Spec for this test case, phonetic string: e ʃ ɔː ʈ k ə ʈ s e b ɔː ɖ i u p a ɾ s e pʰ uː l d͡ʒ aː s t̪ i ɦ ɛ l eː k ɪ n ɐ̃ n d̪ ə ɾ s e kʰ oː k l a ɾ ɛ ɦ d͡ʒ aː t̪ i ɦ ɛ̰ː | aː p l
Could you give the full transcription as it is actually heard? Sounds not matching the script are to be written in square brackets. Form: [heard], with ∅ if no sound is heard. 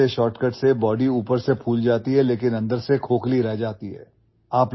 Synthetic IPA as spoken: e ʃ ɔː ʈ k ə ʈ s e b ɔː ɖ i [uː] p [ə] ɾ s e pʰ uː l d͡ʒ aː [∅] t̪ i ɦ ɛ l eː k ɪ n ɐ̃ n d̪ ə ɾ s e kʰ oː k l [i] ɾ ɛ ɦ d͡ʒ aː t̪ i ɦ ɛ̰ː | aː p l